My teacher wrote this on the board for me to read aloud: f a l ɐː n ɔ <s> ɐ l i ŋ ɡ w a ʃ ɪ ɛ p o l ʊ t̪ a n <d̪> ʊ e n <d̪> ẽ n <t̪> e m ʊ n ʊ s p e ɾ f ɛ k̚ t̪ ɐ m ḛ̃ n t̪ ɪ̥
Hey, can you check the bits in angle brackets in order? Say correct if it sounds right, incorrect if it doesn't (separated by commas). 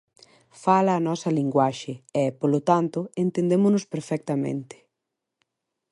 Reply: correct, incorrect, incorrect, incorrect